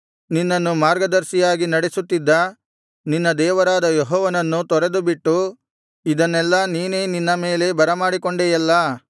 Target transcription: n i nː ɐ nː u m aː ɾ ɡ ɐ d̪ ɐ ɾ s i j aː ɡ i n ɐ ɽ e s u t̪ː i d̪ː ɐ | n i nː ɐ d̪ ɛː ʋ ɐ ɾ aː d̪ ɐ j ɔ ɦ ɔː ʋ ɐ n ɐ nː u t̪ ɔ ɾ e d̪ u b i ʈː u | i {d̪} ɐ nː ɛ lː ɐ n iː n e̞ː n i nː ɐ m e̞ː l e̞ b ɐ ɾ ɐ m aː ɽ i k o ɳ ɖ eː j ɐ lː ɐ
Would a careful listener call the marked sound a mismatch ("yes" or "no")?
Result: no